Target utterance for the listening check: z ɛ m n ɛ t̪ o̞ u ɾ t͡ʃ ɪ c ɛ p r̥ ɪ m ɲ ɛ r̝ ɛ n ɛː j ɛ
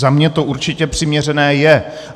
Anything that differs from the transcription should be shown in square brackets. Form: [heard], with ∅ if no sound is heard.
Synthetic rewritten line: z [a] m [ɲ] ɛ t̪ o̞ u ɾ t͡ʃ ɪ c ɛ p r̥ ɪ m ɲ ɛ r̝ ɛ n ɛː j ɛ